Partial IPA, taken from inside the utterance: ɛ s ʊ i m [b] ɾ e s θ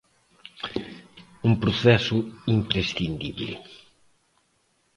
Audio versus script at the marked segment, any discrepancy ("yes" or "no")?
yes